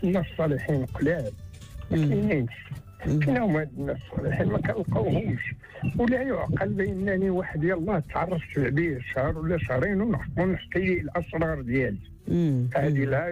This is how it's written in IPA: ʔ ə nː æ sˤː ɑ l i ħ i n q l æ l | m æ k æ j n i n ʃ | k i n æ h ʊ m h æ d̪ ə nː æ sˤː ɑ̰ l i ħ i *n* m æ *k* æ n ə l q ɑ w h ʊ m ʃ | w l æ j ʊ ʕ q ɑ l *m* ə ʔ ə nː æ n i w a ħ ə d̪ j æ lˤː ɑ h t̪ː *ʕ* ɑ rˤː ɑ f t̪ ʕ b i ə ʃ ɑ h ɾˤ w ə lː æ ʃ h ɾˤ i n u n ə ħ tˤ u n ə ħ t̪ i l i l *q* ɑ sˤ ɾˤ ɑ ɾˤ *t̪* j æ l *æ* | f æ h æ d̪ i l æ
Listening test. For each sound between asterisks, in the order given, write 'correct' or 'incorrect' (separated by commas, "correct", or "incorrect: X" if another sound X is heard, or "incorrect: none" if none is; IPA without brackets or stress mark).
correct, correct, incorrect: b, correct, incorrect: ʔ, incorrect: d̪, incorrect: i